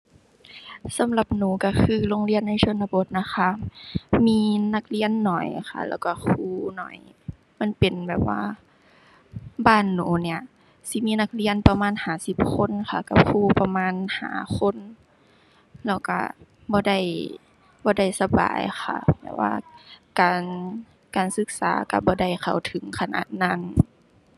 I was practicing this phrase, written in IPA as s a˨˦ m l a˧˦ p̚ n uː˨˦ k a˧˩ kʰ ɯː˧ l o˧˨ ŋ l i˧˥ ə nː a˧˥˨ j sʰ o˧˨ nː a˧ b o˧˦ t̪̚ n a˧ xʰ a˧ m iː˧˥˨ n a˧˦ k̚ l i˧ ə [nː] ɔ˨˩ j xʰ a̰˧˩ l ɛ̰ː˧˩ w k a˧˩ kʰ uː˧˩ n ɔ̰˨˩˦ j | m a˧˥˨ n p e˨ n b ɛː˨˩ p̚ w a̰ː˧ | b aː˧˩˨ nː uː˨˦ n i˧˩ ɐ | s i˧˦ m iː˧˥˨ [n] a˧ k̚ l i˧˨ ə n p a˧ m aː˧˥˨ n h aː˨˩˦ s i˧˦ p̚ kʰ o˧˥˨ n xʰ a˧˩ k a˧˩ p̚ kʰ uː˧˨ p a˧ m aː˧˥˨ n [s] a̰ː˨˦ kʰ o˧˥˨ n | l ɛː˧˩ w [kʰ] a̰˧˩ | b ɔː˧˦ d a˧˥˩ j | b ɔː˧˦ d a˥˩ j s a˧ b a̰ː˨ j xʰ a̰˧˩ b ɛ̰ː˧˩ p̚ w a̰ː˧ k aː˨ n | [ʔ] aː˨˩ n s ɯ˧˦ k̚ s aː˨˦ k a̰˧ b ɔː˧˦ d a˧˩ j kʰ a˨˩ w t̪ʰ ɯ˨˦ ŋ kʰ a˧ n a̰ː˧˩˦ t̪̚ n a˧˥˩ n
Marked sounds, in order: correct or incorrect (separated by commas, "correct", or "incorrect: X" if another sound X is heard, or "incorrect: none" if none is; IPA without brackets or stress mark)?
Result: correct, correct, incorrect: h, incorrect: k, incorrect: k